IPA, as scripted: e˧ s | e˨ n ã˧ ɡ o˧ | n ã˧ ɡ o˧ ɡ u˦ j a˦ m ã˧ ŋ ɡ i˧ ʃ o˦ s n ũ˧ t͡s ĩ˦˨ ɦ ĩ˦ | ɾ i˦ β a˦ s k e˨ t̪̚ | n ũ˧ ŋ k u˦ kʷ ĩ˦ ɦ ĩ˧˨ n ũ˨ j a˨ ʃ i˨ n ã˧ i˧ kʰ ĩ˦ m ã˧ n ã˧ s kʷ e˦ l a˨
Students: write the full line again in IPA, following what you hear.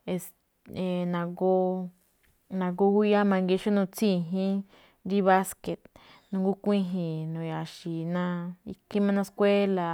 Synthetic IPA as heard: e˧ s | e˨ n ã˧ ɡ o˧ | n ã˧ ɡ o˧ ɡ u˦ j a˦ m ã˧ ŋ ɡ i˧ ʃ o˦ n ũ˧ t͡s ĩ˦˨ ɦ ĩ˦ | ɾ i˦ β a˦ s k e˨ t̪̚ | n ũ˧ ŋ ɡ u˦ kʷ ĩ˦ ɦ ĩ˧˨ n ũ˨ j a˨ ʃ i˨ n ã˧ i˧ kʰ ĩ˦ m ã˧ n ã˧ s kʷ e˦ l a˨